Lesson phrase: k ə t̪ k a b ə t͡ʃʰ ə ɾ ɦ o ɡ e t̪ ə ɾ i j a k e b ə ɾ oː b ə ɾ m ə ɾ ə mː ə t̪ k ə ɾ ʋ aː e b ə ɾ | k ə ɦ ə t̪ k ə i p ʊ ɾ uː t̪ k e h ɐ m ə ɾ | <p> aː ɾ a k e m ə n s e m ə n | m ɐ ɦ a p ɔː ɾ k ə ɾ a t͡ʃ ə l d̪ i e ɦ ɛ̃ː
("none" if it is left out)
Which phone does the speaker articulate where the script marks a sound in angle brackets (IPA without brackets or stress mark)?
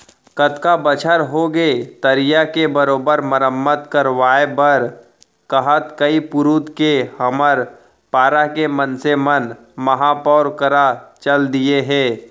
p